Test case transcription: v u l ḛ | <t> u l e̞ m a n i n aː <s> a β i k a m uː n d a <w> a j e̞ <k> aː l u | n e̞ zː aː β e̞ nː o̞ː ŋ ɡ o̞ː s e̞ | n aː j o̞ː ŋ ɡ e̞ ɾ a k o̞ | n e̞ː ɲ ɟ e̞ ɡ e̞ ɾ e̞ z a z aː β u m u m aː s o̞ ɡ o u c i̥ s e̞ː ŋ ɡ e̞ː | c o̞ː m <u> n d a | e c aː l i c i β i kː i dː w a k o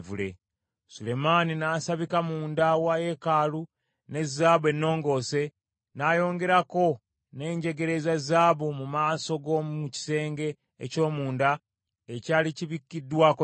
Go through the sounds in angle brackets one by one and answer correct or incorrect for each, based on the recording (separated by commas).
incorrect, correct, correct, correct, incorrect